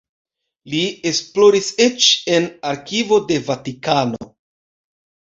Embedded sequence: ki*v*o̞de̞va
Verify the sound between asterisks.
correct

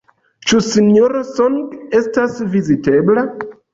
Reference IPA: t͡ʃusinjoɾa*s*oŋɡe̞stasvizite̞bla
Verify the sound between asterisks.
correct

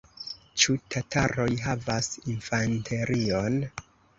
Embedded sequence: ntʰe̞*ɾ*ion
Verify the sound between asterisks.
correct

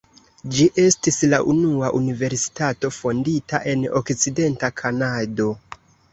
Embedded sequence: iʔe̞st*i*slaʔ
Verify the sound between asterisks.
correct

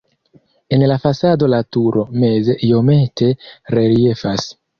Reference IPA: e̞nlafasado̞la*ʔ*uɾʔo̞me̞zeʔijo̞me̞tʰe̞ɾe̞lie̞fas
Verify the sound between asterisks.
incorrect: t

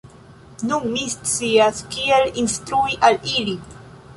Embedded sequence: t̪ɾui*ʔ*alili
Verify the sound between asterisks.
correct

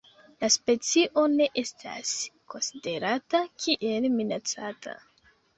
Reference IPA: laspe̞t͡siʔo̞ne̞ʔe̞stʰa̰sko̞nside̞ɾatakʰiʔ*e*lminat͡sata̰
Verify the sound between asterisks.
correct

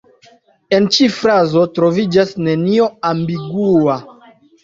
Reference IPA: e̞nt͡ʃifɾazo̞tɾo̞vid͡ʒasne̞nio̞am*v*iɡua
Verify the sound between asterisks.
incorrect: b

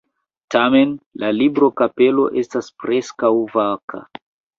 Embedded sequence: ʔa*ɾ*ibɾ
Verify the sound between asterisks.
incorrect: l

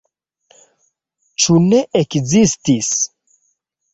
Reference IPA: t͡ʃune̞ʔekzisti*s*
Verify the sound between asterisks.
correct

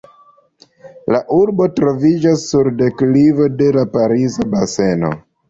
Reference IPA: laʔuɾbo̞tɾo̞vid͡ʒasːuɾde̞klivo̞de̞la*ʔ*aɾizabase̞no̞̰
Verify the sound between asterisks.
incorrect: p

